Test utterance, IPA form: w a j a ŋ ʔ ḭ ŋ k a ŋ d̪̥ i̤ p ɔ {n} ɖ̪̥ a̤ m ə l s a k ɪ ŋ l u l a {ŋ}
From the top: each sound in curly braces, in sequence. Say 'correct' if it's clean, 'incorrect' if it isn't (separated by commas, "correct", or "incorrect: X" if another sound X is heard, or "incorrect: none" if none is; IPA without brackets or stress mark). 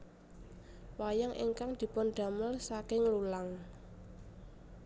correct, correct